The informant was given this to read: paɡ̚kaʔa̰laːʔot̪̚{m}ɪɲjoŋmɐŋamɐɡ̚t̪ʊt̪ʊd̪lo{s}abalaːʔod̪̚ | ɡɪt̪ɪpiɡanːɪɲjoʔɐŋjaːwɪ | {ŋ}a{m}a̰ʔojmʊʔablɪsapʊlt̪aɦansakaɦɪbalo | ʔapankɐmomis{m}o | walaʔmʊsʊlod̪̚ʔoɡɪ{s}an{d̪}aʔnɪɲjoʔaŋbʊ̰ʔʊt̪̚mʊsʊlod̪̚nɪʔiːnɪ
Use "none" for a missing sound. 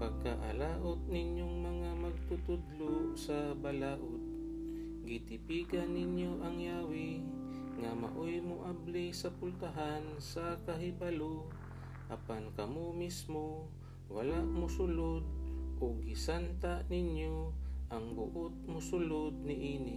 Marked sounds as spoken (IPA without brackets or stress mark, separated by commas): n, s, ŋ, m, m, s, t̪